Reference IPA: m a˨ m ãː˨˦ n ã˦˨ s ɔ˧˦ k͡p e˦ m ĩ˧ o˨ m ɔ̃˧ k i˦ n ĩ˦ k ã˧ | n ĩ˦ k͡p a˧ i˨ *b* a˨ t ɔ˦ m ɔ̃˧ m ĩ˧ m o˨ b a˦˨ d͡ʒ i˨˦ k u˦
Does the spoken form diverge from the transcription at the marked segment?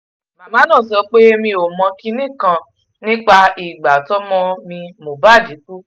yes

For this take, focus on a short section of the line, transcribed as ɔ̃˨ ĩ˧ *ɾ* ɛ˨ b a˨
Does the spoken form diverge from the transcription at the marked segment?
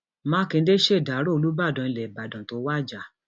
yes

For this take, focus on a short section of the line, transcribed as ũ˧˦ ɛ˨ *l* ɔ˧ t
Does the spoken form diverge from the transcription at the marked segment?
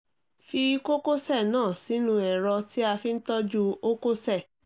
yes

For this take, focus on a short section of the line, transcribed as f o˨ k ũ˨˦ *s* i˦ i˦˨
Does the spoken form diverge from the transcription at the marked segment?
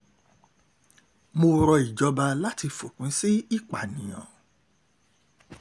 no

